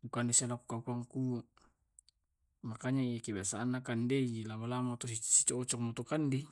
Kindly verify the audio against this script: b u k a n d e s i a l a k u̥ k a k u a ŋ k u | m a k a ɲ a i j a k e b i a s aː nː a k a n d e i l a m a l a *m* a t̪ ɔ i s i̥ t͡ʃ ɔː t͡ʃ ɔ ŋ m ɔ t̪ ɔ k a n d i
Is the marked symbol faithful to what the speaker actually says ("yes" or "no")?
yes